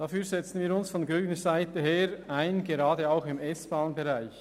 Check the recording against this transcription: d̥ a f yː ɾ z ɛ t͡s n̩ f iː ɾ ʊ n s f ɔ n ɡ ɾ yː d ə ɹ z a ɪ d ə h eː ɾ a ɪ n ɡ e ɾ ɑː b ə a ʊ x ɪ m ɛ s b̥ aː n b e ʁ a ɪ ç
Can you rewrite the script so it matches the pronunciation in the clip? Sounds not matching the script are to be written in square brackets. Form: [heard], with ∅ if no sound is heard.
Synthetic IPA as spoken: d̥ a f yː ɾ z ɛ t͡s n̩ [v] iː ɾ ʊ n s f ɔ n ɡ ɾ yː [n] ə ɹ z a ɪ [t] ə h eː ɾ a ɪ n ɡ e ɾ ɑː [d] ə a ʊ x ɪ m ɛ s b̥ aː n b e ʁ a ɪ ç